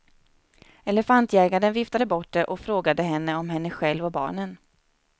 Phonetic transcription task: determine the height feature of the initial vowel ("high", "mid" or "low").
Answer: mid